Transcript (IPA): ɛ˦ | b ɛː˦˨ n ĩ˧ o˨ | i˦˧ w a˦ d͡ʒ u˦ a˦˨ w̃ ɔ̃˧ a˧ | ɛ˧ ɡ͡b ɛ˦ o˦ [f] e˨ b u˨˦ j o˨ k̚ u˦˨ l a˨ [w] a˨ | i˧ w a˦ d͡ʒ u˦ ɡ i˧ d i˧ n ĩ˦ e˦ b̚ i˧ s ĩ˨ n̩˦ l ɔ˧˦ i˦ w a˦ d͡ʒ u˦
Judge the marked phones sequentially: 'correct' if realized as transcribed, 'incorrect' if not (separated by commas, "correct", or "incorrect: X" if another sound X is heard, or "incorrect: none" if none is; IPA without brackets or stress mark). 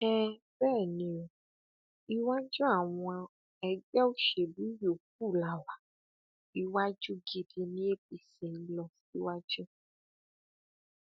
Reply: incorrect: ʃ, correct